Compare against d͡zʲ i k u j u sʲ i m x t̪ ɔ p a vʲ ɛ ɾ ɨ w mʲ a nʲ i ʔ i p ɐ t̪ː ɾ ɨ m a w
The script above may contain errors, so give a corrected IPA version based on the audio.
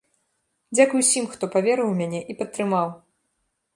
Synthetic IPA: d͡zʲ a k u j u sʲ i m x t̪ ɔ p a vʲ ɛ ɾ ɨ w mʲ a nʲ ɛ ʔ i p ɐ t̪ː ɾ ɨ m a w